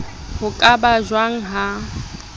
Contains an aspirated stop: no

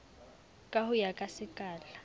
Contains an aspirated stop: no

